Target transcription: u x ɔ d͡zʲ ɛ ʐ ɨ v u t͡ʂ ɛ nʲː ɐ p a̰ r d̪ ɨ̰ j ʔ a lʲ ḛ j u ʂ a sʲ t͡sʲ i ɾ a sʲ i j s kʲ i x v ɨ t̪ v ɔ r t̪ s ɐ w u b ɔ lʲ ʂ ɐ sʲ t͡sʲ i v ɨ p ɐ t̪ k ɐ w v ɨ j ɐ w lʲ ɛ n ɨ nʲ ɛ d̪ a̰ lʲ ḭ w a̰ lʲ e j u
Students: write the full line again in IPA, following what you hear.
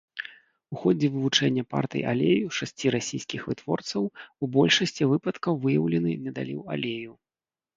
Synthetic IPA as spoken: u x ɔ d͡zʲ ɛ v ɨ v u t͡ʂ ɛ nʲː ɐ p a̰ r t̪ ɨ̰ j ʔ a lʲ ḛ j u ʂ a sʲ t͡sʲ i ɾ a sʲ i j s kʲ i x v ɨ t̪ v ɔ r t̪ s ɐ w u b ɔ lʲ ʂ ɐ sʲ t͡sʲ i v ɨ p ɐ t̪ k ɐ w v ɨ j ɐ w lʲ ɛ n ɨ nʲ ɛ d̪ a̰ lʲ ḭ w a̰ lʲ e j u